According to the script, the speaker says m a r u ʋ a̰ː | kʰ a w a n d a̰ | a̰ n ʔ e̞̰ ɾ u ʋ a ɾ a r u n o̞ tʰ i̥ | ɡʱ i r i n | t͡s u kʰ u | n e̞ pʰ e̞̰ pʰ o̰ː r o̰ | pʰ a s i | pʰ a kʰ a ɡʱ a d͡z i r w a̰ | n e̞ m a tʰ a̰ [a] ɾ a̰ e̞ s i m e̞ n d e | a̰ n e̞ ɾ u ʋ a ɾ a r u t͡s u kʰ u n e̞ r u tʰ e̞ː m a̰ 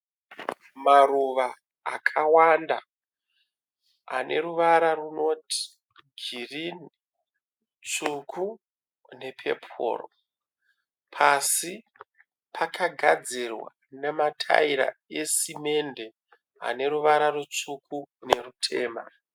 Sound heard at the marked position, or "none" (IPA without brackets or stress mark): i